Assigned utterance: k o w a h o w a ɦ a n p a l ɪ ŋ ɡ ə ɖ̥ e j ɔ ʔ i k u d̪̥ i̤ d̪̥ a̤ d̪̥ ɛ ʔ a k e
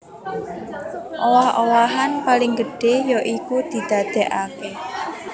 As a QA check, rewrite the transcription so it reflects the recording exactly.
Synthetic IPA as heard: ʔ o w a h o w a ɦ a n p a l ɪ ŋ ɡ ə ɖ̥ e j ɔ ʔ i k u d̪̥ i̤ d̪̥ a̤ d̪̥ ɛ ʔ a k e